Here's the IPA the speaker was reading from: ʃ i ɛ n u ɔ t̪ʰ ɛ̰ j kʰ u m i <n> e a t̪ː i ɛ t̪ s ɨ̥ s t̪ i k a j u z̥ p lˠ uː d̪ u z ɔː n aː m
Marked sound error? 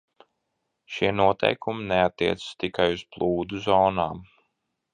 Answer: no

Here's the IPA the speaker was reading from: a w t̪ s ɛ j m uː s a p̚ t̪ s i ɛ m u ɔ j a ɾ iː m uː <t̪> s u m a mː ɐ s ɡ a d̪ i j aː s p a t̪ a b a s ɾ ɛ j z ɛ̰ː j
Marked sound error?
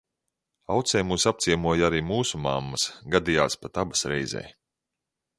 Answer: yes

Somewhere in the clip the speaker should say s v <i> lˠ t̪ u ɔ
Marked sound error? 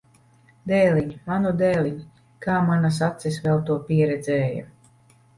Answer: yes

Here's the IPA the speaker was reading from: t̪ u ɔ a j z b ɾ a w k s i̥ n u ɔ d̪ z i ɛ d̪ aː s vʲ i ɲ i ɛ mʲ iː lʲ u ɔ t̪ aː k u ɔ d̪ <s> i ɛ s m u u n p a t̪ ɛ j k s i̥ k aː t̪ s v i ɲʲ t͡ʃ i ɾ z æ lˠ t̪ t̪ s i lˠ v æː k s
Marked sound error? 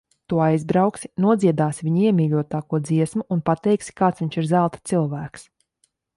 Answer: yes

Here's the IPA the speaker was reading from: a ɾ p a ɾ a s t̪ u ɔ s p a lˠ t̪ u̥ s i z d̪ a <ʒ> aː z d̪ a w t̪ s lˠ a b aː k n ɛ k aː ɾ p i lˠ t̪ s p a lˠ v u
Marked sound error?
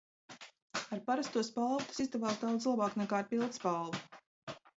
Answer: yes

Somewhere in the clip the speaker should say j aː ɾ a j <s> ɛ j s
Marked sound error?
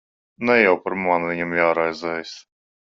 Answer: yes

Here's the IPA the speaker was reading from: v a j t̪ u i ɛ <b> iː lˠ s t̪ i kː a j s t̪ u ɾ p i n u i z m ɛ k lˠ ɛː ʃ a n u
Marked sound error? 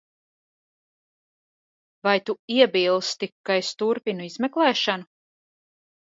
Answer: no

